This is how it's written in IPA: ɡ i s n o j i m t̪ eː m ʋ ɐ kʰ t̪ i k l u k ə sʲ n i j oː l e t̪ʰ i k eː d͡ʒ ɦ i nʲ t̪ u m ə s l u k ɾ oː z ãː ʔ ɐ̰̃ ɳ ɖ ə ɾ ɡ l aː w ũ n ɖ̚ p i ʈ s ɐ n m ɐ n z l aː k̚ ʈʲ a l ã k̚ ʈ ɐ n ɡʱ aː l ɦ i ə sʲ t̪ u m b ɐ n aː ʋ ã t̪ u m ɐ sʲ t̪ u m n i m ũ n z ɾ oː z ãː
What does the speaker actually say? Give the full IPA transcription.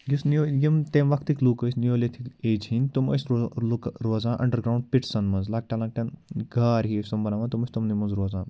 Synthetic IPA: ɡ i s n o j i m t̪ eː m ʋ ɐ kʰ t̪ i k l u k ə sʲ n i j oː l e t̪ʰ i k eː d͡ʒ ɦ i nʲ t̪ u m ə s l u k ɾ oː z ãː ʔ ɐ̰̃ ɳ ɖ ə ɾ ɡ ɾ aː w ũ ɳ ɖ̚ p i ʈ s ɐ n m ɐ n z l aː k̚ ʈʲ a l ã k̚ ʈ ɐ n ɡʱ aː ɾ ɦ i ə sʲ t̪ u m b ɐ n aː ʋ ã t̪ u m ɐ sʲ t̪ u m n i m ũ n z ɾ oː z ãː

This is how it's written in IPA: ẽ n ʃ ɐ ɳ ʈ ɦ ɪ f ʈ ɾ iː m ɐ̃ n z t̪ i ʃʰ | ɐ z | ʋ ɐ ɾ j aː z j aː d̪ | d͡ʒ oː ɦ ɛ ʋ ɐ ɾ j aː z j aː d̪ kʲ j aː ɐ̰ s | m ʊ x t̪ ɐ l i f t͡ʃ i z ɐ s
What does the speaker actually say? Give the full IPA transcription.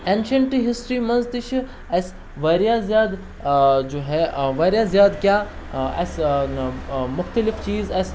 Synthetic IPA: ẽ n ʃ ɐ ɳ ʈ ɦ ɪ s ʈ ɾ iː m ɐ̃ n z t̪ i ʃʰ | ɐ s | ʋ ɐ ɾ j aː z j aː d̪ | d͡ʒ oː ɦ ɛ ʋ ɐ ɾ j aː z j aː d̪ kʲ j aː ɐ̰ s | m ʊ x t̪ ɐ l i f t͡ʃ iː z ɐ s

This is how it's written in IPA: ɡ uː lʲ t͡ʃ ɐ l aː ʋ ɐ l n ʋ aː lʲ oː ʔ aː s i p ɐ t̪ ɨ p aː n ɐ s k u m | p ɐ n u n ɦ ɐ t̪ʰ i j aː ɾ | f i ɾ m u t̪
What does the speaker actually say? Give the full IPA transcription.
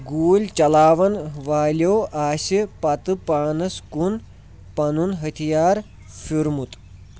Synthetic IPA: ɡ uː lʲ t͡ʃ ɐ l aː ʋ ɐ n ʋ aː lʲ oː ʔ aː s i p ɐ t̪ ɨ p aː n ɐ s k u n | p ɐ n u n ɦ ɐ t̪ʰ i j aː ɾ | f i ɾ m u t̪

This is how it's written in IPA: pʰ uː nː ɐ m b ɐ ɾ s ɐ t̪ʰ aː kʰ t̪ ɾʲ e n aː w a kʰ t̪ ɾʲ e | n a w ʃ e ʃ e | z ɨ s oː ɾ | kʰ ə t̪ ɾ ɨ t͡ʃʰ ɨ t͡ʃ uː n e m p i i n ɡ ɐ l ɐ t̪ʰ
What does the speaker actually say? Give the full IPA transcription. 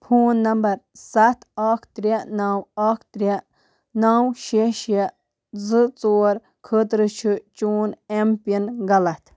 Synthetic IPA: pʰ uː nː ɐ m b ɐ ɾ s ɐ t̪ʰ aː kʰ t̪ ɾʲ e n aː w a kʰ t̪ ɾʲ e | n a w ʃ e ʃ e | z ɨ t͡s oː ɾ | kʰ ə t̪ ɾ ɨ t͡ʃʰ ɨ t͡ʃ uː n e m p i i n ɡ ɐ l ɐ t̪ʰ

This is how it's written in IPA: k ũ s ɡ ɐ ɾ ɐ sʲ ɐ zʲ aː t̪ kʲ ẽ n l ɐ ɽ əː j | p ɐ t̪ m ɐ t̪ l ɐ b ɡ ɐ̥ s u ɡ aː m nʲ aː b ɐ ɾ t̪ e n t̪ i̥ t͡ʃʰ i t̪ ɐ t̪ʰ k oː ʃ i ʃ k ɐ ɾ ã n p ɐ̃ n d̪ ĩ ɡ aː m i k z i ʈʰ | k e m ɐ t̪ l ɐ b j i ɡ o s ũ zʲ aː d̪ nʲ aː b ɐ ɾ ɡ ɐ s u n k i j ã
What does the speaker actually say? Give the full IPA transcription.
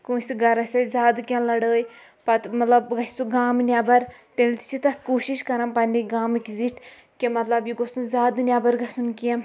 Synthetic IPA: k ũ s ɡ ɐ ɾ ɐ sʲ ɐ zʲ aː d̪ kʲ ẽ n l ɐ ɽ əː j | p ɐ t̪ m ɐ t̪ l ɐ b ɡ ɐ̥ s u ɡ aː m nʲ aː b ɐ ɾ t̪ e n t̪ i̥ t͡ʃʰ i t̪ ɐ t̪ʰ k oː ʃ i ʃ k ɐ ɾ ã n p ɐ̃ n d̪ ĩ ɡ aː m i k z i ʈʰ | k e m ɐ t̪ l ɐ b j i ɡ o s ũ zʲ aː d̪ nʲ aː b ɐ ɾ ɡ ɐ s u n k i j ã

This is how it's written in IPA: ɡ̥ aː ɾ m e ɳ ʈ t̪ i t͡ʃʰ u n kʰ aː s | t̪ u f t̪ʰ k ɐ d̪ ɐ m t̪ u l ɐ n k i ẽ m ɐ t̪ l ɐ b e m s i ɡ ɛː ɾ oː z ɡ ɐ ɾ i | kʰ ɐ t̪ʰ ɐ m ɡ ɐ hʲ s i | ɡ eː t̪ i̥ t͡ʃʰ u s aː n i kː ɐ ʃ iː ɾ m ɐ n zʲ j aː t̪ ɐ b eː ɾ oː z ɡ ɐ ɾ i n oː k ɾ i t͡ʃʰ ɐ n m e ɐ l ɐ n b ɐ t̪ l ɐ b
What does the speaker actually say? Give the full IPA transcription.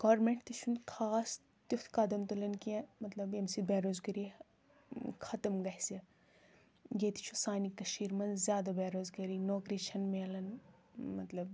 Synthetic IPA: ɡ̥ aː ɾ m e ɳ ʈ t̪ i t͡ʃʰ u n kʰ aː s | t̪ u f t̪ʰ k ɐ d̪ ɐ m t̪ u l ɐ n k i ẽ m ɐ t̪ l ɐ b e m s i b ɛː ɾ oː z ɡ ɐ ɾ i | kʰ ɐ t̪ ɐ m ɡ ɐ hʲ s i | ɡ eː t̪ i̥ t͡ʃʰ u s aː n i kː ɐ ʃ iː ɾ m ɐ n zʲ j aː d̪ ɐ b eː ɾ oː z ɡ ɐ ɾ i n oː k ɾ i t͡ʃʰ ɐ n m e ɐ l ɐ n m ɐ t̪ l ɐ b

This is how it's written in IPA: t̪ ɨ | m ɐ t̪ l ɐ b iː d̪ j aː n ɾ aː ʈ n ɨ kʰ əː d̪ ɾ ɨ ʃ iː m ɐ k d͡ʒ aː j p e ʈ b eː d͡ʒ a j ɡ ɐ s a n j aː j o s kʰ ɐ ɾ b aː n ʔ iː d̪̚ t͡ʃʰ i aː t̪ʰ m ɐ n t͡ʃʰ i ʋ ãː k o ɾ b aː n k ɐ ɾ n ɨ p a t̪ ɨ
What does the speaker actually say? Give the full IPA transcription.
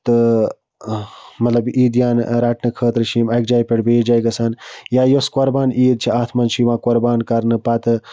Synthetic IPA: t̪ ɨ | m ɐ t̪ l ɐ b iː d̪ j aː n ɾ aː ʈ n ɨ kʰ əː t̪ ɾ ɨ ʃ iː m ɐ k d͡ʒ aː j p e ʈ b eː d͡ʒ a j ɡ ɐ s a n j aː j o s k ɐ ɾ b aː n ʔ iː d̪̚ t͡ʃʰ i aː t̪ʰ m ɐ n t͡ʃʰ i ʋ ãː k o ɾ b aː n k ɐ ɾ n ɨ p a t̪ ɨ

